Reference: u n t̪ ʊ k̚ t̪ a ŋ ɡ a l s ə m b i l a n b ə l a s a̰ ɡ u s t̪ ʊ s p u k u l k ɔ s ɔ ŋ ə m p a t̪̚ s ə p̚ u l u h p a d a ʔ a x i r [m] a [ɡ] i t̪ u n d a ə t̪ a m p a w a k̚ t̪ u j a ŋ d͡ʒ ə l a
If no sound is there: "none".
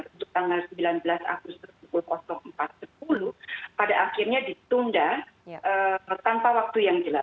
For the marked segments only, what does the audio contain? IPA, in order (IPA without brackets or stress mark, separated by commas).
ɲ, d